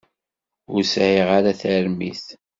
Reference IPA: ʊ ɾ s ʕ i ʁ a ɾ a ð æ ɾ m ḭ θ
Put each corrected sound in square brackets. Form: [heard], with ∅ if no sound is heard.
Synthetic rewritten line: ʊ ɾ s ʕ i ʁ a ɾ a [θ] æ ɾ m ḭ θ